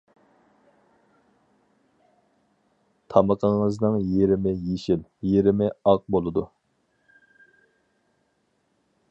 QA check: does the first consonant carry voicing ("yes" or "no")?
no